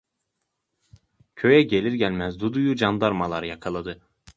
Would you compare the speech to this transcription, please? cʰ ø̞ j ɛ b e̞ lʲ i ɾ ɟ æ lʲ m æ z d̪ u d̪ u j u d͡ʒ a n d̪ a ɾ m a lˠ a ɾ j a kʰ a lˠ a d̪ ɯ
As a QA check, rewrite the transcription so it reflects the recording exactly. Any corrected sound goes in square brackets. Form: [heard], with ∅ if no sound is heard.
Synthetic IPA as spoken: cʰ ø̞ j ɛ [ɟ] e̞ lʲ i ɾ ɟ æ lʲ m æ z d̪ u d̪ u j u d͡ʒ a n d̪ a ɾ m a lˠ a ɾ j a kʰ a lˠ a d̪ ɯ